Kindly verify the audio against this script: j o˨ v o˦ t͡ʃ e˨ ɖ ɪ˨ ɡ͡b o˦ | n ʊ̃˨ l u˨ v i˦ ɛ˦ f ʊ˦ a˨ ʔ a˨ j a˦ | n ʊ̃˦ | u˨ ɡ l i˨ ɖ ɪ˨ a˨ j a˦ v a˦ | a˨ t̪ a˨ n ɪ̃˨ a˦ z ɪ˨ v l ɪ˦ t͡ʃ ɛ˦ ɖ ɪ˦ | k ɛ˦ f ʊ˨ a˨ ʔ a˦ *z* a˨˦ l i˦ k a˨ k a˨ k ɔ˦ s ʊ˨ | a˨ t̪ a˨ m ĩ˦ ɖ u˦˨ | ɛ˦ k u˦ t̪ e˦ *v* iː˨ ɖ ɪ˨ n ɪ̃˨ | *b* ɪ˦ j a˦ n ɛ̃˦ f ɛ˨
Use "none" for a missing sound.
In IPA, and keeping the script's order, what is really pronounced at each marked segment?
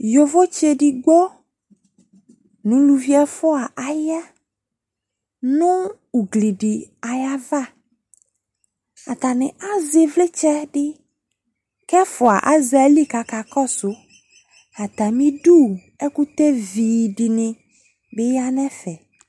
z, v, b

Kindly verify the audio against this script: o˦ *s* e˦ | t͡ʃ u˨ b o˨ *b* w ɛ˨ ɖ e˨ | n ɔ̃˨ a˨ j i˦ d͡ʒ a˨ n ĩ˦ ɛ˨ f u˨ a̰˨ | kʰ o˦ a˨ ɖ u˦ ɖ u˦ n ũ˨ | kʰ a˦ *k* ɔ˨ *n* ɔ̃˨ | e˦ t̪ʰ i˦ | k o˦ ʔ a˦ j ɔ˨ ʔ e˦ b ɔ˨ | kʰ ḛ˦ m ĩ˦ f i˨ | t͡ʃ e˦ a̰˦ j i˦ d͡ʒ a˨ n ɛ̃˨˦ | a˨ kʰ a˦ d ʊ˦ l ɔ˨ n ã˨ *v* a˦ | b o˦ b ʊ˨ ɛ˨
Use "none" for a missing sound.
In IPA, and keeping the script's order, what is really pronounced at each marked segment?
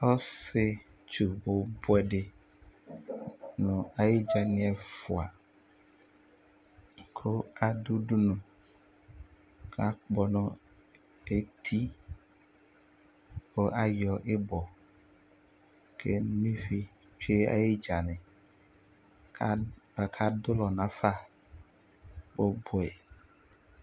s, b, k͡p, n, f

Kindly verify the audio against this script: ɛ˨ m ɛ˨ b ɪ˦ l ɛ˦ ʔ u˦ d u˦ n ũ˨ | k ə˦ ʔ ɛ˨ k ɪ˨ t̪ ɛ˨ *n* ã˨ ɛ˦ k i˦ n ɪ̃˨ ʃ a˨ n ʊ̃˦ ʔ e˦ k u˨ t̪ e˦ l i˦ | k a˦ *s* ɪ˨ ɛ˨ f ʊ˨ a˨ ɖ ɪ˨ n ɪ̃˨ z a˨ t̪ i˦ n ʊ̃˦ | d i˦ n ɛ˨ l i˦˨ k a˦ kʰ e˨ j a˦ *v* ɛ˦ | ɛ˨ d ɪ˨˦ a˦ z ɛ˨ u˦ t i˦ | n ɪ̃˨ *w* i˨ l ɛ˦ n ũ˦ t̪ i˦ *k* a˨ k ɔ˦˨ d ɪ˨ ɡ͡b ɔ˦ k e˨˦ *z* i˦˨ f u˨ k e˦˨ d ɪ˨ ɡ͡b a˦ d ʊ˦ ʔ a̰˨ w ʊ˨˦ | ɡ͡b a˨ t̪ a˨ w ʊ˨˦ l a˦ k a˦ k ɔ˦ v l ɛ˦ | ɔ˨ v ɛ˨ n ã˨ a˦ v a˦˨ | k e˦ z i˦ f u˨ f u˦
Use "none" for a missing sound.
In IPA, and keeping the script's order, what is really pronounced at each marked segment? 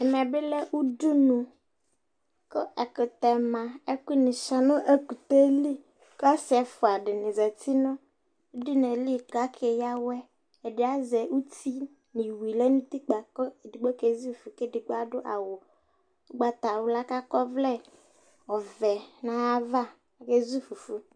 m, s, w, w, k͡p, z

